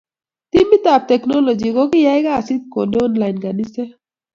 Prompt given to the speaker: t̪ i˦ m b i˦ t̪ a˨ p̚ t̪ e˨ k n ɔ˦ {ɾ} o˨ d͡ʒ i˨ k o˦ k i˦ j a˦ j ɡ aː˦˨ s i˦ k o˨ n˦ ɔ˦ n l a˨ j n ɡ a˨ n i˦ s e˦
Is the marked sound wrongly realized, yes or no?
yes